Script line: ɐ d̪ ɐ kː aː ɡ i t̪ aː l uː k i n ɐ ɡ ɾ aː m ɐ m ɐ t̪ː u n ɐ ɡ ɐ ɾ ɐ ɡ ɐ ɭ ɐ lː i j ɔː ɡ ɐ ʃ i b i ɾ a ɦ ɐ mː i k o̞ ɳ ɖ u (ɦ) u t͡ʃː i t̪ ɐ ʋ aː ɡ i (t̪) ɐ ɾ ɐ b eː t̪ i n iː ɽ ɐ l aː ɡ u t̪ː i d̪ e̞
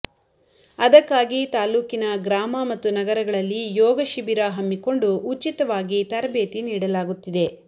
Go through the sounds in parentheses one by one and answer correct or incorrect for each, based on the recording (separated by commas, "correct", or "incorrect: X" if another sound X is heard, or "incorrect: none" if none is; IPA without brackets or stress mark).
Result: incorrect: none, correct